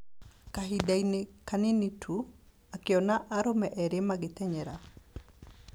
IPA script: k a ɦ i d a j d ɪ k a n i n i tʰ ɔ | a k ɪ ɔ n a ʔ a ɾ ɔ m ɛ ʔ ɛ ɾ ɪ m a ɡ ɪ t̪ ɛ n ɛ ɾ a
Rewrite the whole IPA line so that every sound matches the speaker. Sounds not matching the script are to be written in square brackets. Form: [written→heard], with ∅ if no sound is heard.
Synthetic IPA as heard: k a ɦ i d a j [d→n] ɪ k a n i n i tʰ [ɔ→u] | a k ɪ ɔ n a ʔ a ɾ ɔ m ɛ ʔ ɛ ɾ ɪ m a ɡ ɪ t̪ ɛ [n→ɲ] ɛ ɾ a

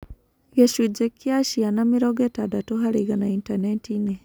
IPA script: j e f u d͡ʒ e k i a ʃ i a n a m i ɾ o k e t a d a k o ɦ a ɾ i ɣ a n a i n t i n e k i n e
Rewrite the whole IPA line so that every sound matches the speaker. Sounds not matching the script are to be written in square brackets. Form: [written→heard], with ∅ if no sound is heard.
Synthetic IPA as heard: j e [f→ʃ] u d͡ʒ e k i a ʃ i a n a m i ɾ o [k→ɡ] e t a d a [k→t] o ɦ a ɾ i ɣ a n a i n t [i→a] n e [k→t] i n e

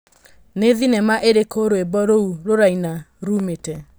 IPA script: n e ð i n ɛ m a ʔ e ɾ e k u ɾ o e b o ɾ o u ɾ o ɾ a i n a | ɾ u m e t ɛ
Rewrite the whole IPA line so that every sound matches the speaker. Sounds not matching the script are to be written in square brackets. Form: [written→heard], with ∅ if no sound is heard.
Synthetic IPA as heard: n e ð i n ɛ m a ʔ e ɾ e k [u→o] ɾ o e b [o→ɔ] ɾ o u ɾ o ɾ a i n a | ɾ u m e t ɛ

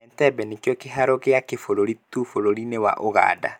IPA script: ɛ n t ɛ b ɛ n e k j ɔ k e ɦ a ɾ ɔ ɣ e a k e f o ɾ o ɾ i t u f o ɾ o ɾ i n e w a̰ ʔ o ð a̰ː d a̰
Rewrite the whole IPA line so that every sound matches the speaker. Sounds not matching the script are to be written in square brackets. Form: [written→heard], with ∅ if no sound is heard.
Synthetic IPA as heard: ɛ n t ɛ b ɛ n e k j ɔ k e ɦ a ɾ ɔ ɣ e a k e f o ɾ o ɾ i t u f o ɾ o ɾ i n e w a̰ ʔ o [ð→ɣ] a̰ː d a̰

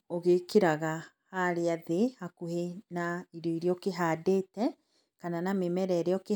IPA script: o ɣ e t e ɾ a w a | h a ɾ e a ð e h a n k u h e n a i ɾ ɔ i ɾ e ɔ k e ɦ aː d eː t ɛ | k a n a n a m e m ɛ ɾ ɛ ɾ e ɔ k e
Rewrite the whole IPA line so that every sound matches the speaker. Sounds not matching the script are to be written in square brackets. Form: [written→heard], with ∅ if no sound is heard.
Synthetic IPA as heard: o ɣ e [t→k] e ɾ a [w→ɣ] a | h a ɾ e a ð e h a [n→∅] k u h e n a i ɾ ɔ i ɾ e ɔ k e ɦ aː d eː t ɛ | k a n a n a m e m ɛ ɾ ɛ ɾ e ɔ k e

